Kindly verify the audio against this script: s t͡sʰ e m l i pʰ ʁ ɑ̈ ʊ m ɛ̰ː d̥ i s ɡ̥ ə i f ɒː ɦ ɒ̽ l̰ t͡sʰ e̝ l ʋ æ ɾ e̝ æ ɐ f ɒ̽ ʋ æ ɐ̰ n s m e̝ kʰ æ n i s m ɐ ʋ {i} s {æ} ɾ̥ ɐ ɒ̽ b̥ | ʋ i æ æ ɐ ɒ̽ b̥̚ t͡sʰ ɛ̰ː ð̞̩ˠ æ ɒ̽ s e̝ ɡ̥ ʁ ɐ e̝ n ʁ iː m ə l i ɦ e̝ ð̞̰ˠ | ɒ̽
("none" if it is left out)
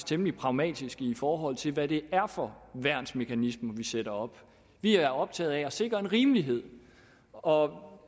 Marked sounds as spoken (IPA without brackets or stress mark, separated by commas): i, e